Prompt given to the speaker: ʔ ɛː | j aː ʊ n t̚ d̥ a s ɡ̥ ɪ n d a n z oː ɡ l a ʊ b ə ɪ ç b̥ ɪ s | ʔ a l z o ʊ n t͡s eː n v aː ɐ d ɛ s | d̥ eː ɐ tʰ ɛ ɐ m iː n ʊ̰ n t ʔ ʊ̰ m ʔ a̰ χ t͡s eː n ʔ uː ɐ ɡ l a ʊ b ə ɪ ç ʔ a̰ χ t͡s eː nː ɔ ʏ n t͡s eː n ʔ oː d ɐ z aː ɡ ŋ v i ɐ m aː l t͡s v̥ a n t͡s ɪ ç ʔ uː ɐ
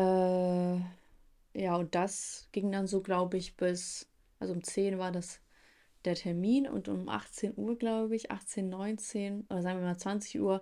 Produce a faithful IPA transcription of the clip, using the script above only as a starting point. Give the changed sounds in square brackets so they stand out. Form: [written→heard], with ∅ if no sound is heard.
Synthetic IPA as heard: ʔ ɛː | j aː ʊ n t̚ d̥ a s ɡ̥ ɪ [n→ŋ] d a n z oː ɡ l a ʊ b ə ɪ ç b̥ ɪ s | ʔ a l z o ʊ [n→m] t͡s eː n v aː ɐ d [ɛ→a] s | d̥ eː ɐ tʰ ɛ ɐ m iː n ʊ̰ n t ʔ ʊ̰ m ʔ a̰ χ t͡s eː n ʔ uː ɐ ɡ l a ʊ b ə ɪ ç ʔ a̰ χ t͡s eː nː ɔ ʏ n t͡s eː n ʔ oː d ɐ z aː ɡ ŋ v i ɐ m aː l t͡s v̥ a n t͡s ɪ ç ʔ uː ɐ